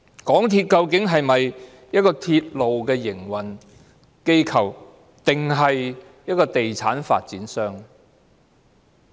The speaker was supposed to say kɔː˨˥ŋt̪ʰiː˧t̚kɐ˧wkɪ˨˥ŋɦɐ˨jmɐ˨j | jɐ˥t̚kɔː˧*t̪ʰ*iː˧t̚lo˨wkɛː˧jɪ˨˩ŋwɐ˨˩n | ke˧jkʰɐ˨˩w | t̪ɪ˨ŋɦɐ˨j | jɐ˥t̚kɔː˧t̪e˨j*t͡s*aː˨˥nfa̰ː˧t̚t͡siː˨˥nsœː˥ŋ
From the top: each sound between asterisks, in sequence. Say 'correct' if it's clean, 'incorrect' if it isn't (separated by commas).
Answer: correct, incorrect